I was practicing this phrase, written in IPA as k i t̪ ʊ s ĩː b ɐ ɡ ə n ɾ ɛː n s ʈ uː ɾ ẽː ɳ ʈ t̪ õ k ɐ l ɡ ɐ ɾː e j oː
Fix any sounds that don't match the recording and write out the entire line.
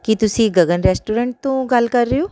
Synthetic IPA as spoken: k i t̪ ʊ s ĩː ɡ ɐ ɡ ə n ɾ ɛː s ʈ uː ɾ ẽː ɳ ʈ t̪ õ ɡ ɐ l k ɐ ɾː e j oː

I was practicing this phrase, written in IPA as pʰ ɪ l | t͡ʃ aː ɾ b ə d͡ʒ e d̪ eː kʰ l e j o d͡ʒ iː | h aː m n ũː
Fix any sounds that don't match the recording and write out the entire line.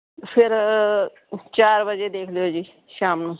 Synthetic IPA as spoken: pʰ ɪ ɾ | t͡ʃ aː ɾ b ə d͡ʒ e d̪ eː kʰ l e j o d͡ʒ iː | ʃ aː m n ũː

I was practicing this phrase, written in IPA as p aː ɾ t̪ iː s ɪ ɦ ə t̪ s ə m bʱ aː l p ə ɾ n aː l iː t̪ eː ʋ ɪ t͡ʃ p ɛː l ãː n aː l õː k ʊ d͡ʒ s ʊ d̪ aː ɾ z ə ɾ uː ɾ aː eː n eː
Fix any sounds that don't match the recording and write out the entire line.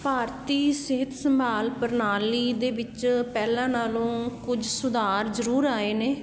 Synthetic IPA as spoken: p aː ɾ t̪ iː s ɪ ɦ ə t̪ s ə m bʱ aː l p ə ɾ n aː l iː d̪ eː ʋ ɪ t͡ʃ p ɛː l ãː n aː l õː k ʊ d͡ʒ s ʊ d̪ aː ɾ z ə ɾ uː ɾ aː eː n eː

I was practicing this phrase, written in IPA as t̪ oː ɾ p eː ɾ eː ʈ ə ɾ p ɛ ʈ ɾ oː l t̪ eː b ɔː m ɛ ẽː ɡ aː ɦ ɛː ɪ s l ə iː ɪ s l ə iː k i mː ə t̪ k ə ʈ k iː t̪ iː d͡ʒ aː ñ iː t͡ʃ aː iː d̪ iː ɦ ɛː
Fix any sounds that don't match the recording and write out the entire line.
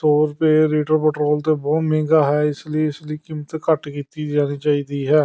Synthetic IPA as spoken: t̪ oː ɾ p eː ɾ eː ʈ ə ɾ p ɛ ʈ ɾ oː l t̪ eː b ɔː m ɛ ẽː ɡ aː ɦ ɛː ɪ s l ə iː ɪ s l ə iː k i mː ə t̪ k ə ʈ k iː t̪ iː d͡ʒ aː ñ iː t͡ʃ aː iː d̪ iː ɦ ɛː

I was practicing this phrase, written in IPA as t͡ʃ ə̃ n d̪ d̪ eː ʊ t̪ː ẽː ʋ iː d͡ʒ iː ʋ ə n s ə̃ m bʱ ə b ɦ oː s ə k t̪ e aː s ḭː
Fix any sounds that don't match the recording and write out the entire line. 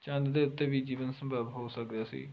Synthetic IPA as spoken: t͡ʃ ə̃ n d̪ d̪ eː ʊ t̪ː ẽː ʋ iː d͡ʒ iː ʋ ə n s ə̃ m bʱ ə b ɦ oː s ə k d̪ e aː s ḭː

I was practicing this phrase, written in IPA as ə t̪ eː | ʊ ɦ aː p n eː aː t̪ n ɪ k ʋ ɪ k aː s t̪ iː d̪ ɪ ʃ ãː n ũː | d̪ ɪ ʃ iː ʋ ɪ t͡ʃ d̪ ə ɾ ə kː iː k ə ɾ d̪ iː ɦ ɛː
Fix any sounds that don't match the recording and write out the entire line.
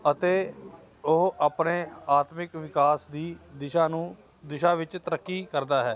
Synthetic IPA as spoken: ə t̪ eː | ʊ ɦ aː p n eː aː t̪ m ɪ k ʋ ɪ k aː s d̪ iː d̪ ɪ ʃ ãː n ũː | d̪ ɪ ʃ aː ʋ ɪ t͡ʃ t̪ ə ɾ ə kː iː k ə ɾ d̪ aː ɦ ɛː

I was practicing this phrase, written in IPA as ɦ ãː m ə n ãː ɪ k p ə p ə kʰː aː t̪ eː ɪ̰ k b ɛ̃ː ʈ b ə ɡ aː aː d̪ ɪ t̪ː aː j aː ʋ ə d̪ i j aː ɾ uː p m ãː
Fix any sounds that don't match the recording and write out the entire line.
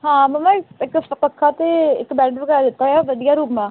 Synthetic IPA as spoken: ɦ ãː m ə m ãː ɪ k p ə p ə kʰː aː t̪ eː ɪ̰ k b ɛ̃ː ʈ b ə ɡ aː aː d̪ ɪ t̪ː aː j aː ʋ ə d̪ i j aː ɾ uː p m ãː

